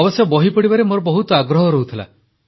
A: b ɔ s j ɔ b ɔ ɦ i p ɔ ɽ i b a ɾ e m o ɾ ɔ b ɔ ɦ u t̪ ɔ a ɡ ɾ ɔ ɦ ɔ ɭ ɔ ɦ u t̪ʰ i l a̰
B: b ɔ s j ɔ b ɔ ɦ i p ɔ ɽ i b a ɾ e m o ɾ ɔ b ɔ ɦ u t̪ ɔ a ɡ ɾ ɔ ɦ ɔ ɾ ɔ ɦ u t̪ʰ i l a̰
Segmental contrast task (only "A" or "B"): B